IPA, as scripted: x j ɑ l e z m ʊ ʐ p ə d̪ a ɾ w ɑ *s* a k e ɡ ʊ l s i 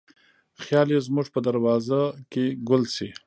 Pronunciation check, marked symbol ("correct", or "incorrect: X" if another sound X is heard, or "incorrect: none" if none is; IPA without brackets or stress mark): incorrect: z